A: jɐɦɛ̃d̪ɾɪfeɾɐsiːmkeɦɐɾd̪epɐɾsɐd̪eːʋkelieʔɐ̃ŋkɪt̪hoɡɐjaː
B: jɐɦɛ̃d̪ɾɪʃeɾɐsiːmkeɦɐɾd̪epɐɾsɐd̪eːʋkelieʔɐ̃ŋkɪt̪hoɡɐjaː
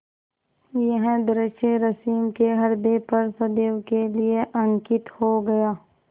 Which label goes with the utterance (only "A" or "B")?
B